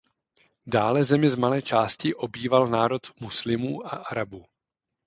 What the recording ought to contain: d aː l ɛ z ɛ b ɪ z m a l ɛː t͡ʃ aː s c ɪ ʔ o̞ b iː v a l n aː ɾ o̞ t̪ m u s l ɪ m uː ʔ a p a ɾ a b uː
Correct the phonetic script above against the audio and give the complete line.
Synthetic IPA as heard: d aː l ɛ z ɛ m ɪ z m a l ɛː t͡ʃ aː s c ɪ ʔ o̞ b iː v a l n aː ɾ o̞ t̪ m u s l ɪ m uː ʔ a ʔ a ɾ a b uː